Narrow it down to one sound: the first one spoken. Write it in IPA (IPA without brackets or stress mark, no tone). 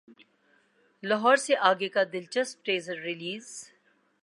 l